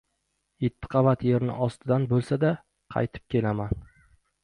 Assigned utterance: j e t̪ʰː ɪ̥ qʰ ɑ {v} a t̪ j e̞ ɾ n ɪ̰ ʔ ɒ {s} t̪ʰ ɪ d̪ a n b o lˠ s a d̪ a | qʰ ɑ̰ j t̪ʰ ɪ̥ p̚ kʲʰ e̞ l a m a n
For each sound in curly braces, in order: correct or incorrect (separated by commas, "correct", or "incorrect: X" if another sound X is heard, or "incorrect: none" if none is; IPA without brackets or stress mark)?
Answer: correct, correct